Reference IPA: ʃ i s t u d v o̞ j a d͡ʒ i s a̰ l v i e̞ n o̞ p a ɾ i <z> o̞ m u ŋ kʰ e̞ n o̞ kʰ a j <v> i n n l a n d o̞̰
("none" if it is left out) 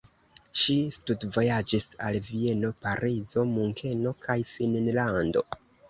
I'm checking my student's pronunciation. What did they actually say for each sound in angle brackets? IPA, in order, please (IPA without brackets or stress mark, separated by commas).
z, f